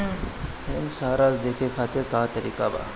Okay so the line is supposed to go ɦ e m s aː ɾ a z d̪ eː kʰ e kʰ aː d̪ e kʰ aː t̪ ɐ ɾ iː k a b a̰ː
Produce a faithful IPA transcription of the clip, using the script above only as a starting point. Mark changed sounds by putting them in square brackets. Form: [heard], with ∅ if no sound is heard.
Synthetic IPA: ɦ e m s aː ɾ a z d̪ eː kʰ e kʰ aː [t̪] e [k] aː t̪ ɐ ɾ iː k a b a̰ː

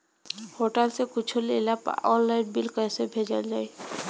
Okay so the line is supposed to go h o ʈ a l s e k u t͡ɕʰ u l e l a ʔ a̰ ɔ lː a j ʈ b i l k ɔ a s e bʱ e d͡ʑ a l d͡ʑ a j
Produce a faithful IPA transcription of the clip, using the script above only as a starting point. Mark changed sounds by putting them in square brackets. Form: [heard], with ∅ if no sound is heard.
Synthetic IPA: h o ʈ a l s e k u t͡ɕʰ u l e l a [p] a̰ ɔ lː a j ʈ b i l k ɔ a s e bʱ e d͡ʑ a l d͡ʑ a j

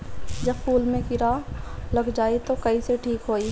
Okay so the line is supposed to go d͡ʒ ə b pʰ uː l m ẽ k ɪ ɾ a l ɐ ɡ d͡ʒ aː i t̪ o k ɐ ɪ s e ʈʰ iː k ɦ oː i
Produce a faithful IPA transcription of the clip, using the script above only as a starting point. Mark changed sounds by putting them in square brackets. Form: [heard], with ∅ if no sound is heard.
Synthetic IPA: d͡ʒ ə b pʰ uː l m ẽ k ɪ ɾ a l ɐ ɡ d͡ʒ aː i t̪ o k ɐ [i] s e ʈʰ iː k ɦ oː i

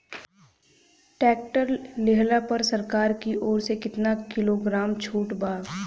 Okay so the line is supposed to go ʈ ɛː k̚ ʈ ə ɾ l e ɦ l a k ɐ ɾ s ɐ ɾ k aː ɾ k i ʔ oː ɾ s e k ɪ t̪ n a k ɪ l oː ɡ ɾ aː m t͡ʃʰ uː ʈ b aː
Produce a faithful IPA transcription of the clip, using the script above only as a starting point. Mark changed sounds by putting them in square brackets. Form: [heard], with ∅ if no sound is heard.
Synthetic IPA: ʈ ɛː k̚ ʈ ə ɾ l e ɦ l a [p] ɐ ɾ s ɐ ɾ k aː ɾ k i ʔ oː ɾ s e k ɪ t̪ n a k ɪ l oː ɡ ɾ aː m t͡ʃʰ uː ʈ b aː

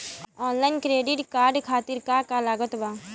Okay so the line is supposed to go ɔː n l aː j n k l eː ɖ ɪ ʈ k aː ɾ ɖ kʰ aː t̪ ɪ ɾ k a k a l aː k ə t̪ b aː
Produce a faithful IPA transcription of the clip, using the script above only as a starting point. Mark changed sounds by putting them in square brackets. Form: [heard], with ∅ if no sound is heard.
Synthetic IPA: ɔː n l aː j n k [ɾ] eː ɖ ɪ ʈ k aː ɾ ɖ kʰ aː t̪ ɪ ɾ k a k a l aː [ɡ] ə t̪ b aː

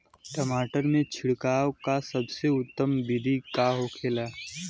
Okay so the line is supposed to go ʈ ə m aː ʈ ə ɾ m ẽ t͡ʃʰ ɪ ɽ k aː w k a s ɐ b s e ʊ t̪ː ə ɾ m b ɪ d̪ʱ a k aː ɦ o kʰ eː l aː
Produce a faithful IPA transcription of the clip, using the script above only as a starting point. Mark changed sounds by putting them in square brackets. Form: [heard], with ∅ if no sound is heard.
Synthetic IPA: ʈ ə m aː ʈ ə ɾ m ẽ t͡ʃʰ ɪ ɽ k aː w k a s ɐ b s e ʊ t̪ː ə [∅] m b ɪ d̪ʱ [i] k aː ɦ o kʰ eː l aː

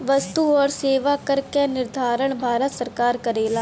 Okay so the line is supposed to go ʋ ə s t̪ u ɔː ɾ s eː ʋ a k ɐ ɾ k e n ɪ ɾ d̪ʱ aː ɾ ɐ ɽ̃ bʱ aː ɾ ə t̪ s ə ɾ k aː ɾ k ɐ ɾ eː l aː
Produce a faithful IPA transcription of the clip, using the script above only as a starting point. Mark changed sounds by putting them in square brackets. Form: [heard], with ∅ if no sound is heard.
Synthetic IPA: ʋ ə s t̪ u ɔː ɾ s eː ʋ a k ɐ ɾ k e n ɪ ɾ d̪ʱ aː ɾ [ə] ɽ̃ bʱ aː ɾ ə t̪ s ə ɾ k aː ɾ k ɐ ɾ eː l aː

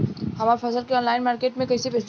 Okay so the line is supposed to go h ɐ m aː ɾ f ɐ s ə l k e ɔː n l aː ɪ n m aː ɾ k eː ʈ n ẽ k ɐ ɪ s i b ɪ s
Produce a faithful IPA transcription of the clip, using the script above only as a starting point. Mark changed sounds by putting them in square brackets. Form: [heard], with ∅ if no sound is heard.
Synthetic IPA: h ɐ m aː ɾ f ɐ s ə l k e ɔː n l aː ɪ n m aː ɾ k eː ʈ [m] ẽ k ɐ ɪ s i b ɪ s

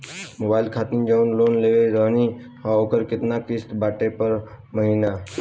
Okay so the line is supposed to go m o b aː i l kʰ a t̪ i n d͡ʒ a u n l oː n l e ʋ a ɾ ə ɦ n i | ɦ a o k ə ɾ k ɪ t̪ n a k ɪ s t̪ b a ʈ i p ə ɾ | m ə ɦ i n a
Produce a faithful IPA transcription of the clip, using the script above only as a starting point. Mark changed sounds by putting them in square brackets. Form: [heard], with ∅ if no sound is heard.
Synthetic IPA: m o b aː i l kʰ a t̪ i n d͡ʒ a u n l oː n l e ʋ [e] ɾ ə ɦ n i | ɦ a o k ə ɾ k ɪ t̪ n a k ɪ s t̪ b a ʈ [e] p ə ɾ | m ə ɦ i n a

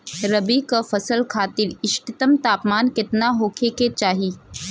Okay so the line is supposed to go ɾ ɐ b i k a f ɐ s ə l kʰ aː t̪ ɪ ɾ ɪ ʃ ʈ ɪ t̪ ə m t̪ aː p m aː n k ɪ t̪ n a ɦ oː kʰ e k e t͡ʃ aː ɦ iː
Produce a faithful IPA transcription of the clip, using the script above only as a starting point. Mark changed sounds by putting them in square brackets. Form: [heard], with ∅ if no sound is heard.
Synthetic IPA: ɾ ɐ b i k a f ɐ s ə l kʰ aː t̪ ɪ ɾ ɪ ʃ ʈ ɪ t̪ ə m t̪ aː p m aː n k ɪ t̪ n a ɦ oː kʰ e k e t͡ʃ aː ɦ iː

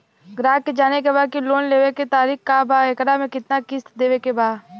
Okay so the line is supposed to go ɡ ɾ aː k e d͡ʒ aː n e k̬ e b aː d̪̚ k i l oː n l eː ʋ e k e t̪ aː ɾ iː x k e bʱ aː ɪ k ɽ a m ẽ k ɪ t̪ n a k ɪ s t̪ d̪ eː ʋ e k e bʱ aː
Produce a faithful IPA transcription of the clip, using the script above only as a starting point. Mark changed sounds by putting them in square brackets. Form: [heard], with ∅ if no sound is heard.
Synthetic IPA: ɡ ɾ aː k e d͡ʒ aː n e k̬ e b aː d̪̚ k i l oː n l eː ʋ e k e t̪ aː ɾ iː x k [a] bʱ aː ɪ k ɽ a m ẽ k ɪ t̪ n a k ɪ s t̪ d̪ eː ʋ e k e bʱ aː

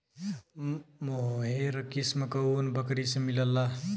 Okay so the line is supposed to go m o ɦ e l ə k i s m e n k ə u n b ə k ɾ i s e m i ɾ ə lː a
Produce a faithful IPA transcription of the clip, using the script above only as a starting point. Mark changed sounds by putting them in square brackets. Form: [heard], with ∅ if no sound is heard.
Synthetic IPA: m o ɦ e [ɾ] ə k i s m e [∅] k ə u n b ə k ɾ i s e m i [l] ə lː a

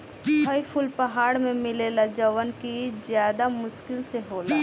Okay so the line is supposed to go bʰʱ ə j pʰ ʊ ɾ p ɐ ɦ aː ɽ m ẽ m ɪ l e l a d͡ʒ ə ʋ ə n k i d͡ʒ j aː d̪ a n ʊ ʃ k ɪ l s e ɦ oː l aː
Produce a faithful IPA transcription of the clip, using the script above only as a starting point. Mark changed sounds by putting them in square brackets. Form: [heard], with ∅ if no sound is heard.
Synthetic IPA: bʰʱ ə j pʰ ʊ [l] p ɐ ɦ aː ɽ m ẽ m ɪ l e l a d͡ʒ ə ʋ ə n k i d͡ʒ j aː d̪ a [m] ʊ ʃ k ɪ l s e ɦ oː l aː

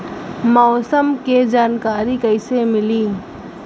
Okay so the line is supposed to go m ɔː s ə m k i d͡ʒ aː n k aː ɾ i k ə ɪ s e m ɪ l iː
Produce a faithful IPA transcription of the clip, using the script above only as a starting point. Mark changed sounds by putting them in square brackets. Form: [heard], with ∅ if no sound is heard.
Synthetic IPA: m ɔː s ə m k [e] d͡ʒ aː n k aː ɾ i k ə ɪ s e m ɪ l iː

